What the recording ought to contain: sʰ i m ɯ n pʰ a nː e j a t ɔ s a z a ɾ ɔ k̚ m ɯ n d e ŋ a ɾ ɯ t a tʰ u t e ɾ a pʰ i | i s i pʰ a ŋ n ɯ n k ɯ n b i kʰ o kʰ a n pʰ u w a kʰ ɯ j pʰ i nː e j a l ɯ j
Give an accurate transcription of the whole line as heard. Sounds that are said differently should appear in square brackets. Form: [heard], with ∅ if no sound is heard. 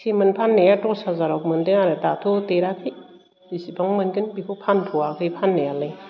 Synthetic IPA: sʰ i m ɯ n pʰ a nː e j a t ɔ s a z a ɾ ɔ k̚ m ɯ n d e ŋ a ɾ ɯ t a tʰ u t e ɾ a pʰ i | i s i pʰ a ŋ [m] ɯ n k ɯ n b i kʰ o [pʰ] a n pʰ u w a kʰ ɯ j pʰ [a] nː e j a l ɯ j